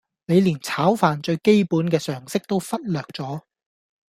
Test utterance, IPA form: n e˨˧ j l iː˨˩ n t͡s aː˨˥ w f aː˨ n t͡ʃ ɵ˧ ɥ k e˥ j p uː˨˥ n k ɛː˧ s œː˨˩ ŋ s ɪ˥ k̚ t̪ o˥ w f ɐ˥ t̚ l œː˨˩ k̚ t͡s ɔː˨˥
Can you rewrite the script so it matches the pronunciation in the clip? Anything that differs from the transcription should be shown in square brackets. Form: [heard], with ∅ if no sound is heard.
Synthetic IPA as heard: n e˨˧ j l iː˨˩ n [t͡sʰ] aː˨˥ w f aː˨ n t͡ʃ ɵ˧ ɥ k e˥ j p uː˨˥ n k ɛː˧ s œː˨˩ ŋ s ɪ˥ k̚ t̪ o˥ w f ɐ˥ t̚ l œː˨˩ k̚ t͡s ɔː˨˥